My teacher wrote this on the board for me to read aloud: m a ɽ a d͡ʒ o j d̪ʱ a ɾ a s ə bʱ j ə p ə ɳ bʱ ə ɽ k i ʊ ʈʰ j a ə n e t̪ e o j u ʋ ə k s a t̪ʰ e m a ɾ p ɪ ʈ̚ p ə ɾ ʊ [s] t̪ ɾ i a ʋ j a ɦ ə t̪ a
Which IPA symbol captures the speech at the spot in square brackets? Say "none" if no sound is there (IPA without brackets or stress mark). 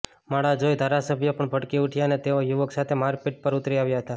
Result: none